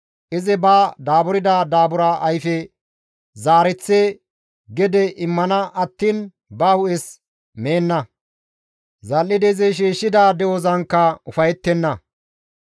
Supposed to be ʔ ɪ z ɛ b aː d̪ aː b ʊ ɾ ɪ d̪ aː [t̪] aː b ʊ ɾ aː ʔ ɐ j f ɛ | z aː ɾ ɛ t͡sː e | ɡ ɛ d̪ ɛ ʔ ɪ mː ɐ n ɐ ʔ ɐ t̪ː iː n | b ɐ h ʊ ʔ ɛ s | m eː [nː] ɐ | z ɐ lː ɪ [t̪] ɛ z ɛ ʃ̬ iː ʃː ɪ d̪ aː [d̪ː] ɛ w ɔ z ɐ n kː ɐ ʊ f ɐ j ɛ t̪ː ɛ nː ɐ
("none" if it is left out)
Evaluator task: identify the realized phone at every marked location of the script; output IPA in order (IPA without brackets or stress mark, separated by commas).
d̪, nː, d̪, d̪